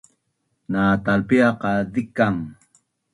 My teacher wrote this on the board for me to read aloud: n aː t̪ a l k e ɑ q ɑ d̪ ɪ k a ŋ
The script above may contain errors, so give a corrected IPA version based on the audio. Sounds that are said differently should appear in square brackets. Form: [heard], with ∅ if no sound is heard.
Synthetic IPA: n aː t̪ a l [p] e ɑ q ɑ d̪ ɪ k a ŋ